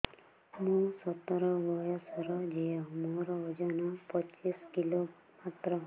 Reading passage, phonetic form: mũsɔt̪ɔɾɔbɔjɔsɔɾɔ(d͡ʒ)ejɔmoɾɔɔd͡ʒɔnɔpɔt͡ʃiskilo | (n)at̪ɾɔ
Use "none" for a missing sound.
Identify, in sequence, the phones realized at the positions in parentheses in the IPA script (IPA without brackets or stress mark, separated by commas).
d͡ʒ, m